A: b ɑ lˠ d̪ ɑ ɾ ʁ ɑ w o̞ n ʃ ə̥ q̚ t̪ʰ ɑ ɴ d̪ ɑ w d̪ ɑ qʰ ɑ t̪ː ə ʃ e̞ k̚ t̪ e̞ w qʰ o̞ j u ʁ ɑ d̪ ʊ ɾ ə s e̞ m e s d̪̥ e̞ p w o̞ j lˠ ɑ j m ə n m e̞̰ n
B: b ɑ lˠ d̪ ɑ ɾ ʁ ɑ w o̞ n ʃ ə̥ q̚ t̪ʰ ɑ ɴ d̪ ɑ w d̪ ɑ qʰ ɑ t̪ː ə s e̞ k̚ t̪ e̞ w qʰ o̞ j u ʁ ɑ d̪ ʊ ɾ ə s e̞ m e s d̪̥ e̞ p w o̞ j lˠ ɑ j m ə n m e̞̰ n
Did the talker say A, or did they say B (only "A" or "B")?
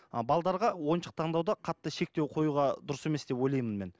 A